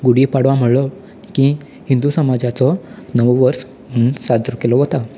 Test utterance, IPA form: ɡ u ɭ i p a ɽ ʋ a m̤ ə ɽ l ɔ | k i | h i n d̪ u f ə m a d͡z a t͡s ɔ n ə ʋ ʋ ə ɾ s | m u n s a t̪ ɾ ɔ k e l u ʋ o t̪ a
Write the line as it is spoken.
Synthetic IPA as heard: ɡ u ɽ i p a ɽ ʋ a m̤ ə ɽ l ɔ | k i | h i n d̪ u s ə m a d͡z a t͡s ɔ n ə ʋ ʋ ə ɾ s | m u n s a d̪ ɾ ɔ k e l ɔ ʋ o t̪ a